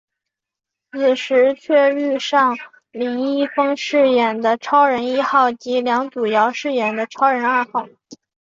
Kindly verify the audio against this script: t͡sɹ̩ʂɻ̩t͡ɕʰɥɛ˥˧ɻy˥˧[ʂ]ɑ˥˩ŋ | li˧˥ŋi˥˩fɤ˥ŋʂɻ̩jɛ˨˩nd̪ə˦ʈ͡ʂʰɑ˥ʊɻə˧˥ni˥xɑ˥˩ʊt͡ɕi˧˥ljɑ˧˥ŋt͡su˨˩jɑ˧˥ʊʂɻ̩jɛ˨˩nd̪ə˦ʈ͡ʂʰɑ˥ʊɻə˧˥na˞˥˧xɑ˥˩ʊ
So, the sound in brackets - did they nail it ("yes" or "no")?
yes